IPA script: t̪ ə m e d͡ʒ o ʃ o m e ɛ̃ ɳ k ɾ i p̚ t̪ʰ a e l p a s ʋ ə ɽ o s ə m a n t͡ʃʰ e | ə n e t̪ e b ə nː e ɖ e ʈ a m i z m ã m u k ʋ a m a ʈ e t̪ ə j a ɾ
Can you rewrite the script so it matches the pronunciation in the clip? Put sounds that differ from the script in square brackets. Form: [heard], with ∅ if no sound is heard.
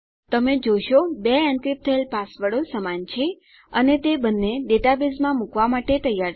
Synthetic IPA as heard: t̪ ə m e d͡ʒ o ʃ o [b] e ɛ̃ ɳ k ɾ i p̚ t̪ʰ [ə] e l p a s ʋ ə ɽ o s ə m a n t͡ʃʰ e | ə n e t̪ e b ə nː e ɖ e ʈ a [b] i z m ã m u k ʋ a m a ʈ e t̪ ə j a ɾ